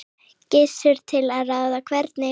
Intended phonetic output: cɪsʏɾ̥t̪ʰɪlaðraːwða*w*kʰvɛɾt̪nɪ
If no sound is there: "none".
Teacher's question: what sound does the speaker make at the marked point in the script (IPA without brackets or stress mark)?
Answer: none